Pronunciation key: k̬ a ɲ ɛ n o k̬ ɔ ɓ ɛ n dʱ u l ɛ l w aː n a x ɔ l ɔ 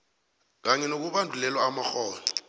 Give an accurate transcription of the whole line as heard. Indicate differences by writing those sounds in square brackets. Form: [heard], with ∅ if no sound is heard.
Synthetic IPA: k̬ a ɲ ɛ n o k̬ [u] ɓ [a] n dʱ u l ɛ l w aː [m] a x [ɔː] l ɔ